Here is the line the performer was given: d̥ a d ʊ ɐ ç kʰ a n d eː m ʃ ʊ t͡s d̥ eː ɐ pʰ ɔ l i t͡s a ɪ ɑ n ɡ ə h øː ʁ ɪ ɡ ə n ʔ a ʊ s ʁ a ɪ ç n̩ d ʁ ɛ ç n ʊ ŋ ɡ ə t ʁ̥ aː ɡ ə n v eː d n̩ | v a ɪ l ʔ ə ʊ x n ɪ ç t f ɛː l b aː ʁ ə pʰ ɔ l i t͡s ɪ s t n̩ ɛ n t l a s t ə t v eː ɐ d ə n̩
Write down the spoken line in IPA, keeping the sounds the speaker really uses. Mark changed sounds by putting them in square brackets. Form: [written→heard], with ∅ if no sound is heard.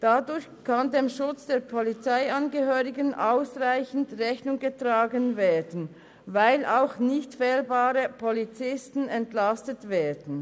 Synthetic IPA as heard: d̥ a d ʊ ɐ ç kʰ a n d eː m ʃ ʊ t͡s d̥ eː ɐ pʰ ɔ l i t͡s a ɪ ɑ n ɡ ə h øː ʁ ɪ ɡ ə n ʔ a ʊ s ʁ a ɪ ç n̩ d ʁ ɛ ç n ʊ ŋ ɡ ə t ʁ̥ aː ɡ ə n v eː d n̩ | v a ɪ l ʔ [ə→a] ʊ x n ɪ ç t f ɛː l b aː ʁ ə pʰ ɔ l i t͡s ɪ s t n̩ ɛ n t l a s t ə t v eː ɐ d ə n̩